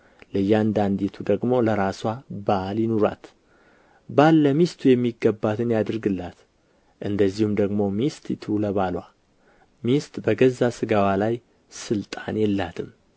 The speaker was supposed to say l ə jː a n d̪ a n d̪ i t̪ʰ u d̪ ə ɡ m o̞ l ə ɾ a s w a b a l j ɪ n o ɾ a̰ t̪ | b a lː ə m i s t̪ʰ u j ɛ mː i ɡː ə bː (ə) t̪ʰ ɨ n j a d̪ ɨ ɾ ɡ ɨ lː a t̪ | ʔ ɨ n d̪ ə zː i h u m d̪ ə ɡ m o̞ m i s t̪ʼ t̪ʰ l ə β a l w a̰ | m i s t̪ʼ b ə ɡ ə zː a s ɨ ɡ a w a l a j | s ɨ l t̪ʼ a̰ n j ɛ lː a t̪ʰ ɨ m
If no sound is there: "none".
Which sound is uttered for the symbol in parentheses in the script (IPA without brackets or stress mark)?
a